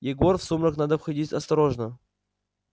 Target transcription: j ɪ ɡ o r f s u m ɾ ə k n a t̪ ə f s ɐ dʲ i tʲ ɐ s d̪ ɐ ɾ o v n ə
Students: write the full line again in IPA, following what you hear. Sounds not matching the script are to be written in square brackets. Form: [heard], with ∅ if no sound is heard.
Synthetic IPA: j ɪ ɡ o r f s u m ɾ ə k n a [d̪] ə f [x] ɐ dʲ i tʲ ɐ s [t̪] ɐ ɾ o [ʐ] n ə

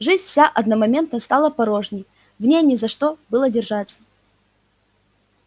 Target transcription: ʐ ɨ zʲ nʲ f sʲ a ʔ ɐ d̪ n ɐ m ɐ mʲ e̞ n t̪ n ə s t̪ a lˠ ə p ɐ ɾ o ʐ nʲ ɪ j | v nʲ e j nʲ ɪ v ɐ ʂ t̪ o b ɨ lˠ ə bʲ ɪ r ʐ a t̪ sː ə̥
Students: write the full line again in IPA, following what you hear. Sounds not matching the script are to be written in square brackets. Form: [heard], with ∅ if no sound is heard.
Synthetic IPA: ʐ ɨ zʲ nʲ f sʲ a ʔ ɐ d̪ n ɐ m ɐ mʲ e̞ n t̪ n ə s t̪ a lˠ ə p ɐ ɾ o ʐ nʲ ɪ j | v nʲ e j nʲ ɪ [z] ɐ ʂ t̪ o b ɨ lˠ ə [dʲ] ɪ r ʐ a t̪ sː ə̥

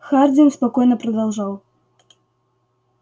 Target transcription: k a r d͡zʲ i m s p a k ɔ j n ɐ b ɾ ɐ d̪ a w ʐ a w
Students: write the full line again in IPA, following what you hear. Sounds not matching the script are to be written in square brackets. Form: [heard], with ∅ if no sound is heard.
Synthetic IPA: [x] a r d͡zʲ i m s p a k ɔ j n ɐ [p] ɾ ɐ d̪ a w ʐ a w

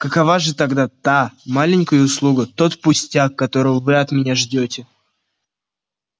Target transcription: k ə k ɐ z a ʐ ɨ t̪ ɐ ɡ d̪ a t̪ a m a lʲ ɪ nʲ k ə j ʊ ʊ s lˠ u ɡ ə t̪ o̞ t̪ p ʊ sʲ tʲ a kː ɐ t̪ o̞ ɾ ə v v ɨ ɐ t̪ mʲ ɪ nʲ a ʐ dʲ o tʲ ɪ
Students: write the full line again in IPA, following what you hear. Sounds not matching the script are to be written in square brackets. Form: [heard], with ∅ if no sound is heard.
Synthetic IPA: k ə k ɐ [v] a ʐ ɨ t̪ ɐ ɡ d̪ a t̪ a m a lʲ ɪ nʲ k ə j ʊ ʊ s lˠ u ɡ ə t̪ o̞ t̪ p ʊ sʲ tʲ a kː ɐ t̪ o̞ ɾ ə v v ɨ ɐ t̪ mʲ ɪ nʲ a ʐ dʲ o tʲ ɪ

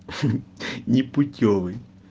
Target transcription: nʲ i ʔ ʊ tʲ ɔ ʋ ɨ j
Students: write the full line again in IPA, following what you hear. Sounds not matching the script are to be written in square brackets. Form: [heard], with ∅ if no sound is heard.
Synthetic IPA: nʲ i [p] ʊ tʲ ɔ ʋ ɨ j

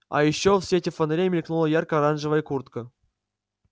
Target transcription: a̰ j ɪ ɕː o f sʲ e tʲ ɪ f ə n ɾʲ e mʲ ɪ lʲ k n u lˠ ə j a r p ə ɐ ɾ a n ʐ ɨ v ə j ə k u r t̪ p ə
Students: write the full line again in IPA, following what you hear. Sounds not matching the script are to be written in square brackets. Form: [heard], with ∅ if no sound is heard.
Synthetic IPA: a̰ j ɪ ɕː o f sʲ e tʲ ɪ f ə n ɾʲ e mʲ ɪ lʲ k n u lˠ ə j a r [k] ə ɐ ɾ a n ʐ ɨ v ə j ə k u r t̪ [k] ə

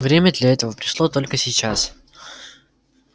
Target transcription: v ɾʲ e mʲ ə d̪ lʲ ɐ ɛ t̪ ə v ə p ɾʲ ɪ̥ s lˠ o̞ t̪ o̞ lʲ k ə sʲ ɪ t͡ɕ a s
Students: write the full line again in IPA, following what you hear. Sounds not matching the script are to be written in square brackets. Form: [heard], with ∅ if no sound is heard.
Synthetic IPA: v ɾʲ e mʲ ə d̪ lʲ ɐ ɛ t̪ ə v ə p ɾʲ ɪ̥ [ʂ] lˠ o̞ t̪ o̞ lʲ k ə sʲ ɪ t͡ɕ a s

